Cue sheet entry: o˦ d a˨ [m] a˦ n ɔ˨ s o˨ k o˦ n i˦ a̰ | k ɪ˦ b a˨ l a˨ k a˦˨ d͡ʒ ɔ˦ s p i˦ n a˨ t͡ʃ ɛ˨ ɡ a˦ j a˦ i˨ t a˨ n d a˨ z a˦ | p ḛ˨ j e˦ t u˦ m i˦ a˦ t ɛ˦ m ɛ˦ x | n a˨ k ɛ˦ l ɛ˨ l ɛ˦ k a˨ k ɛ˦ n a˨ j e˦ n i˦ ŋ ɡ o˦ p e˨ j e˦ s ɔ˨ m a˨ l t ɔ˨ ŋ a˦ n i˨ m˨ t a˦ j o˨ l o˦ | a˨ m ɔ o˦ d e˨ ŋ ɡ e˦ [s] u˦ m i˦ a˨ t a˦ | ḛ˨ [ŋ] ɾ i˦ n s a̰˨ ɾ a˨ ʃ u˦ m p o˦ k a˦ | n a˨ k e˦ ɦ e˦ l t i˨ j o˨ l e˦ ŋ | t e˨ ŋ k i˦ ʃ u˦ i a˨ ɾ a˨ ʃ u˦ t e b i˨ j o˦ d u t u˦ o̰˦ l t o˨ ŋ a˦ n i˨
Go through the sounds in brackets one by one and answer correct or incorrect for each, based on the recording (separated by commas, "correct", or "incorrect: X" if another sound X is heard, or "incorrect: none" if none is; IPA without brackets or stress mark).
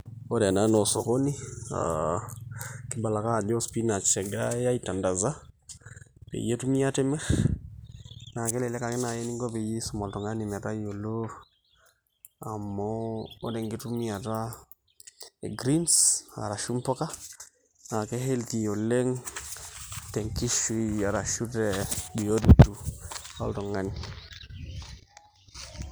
incorrect: n, incorrect: t, incorrect: ɡ